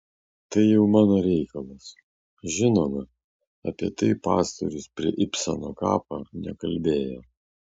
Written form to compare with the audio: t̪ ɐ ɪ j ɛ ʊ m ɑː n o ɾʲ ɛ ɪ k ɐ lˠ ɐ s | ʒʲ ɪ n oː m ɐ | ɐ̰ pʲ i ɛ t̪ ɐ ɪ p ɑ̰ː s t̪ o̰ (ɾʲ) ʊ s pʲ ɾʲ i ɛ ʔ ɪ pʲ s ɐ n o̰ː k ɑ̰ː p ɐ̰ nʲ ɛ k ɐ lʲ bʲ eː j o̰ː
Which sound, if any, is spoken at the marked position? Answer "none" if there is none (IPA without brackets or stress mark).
ɾʲ